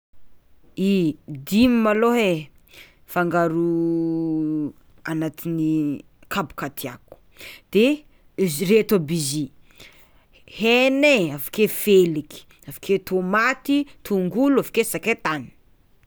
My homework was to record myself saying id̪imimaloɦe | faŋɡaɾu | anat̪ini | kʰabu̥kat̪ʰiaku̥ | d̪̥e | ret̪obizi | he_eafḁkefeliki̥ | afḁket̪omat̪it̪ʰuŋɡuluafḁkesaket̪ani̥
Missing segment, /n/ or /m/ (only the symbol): n